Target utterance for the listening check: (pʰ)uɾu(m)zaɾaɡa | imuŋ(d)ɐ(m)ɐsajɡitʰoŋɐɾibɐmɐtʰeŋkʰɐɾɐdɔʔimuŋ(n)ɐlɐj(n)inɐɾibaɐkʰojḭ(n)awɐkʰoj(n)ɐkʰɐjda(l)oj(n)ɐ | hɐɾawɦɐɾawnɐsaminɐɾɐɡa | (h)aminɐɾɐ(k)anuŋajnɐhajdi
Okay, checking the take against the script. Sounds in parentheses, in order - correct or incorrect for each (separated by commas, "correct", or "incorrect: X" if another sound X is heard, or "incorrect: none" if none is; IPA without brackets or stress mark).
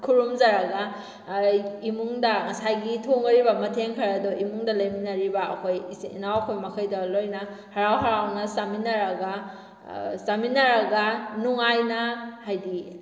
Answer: incorrect: kʰ, correct, correct, incorrect: ŋ, incorrect: d, incorrect: m, correct, incorrect: m, correct, correct, incorrect: s, incorrect: ɡ